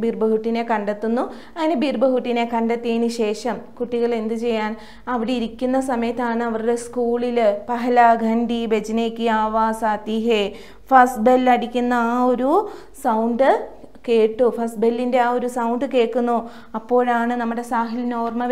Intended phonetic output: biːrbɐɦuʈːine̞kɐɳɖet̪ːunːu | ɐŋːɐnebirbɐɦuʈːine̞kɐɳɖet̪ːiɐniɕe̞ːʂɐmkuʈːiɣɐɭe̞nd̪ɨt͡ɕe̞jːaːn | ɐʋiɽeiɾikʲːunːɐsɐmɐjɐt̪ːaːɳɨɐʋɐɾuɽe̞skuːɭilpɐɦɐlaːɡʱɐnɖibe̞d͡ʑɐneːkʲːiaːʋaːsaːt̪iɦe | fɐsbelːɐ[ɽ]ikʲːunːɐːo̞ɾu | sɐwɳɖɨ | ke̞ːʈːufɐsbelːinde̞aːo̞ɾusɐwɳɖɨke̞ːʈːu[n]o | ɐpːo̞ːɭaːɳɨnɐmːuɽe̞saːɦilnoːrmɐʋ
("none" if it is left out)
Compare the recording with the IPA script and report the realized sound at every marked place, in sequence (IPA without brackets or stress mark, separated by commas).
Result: ɽ, nː